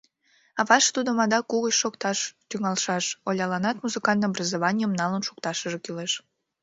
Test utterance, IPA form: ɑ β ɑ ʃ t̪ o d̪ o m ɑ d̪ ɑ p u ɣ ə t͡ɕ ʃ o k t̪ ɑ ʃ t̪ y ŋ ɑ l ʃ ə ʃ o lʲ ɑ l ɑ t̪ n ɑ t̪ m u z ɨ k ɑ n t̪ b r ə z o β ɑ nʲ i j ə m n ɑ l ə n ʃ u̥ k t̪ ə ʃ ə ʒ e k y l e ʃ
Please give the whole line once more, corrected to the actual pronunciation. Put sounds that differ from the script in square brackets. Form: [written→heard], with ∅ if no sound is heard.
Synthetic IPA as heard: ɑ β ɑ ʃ t̪ [o→u] d̪ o m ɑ d̪ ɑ [p→k] u ɣ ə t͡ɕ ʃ o k t̪ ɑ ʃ t̪ y ŋ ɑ l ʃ [ə→ɑ] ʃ o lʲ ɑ l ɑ [t̪→∅] n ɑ t̪ m u z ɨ k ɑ n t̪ b r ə z o β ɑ nʲ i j ə m n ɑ l ə n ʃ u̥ k t̪ [ə→ɑ] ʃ ə ʒ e k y l e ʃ